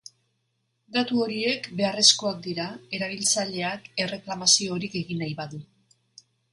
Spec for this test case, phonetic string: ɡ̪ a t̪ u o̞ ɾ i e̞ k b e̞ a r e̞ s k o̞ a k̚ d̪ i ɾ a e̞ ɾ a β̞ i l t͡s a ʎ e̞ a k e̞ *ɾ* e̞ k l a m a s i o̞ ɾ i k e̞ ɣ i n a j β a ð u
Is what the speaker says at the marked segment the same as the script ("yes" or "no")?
no